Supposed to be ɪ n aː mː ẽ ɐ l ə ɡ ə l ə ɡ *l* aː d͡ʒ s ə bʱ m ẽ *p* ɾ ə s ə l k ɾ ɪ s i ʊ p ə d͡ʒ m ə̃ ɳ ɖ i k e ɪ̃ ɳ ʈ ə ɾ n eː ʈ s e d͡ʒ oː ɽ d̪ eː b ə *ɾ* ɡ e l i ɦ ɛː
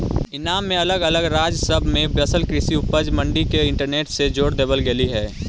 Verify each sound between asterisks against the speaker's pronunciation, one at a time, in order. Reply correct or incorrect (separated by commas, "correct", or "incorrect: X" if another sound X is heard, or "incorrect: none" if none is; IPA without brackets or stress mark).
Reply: incorrect: ɾ, incorrect: b, incorrect: l